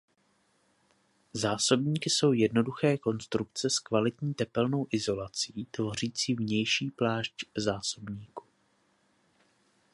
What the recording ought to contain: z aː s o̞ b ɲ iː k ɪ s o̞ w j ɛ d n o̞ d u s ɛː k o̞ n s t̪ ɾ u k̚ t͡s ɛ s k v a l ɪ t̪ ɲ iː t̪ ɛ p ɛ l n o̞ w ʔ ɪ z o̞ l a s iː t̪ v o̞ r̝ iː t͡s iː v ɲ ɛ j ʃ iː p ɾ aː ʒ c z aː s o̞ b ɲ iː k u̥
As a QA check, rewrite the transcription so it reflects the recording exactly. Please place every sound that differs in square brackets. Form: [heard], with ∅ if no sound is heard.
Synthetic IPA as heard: z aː s o̞ b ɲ iː k ɪ s o̞ w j ɛ d n o̞ d u [x] ɛː k o̞ n s t̪ ɾ u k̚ t͡s ɛ s k v a l ɪ t̪ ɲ iː t̪ ɛ p ɛ l n o̞ w ʔ ɪ z o̞ l a [t͡s] iː t̪ v o̞ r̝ iː t͡s iː v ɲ ɛ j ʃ iː p [l] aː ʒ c z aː s o̞ b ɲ iː k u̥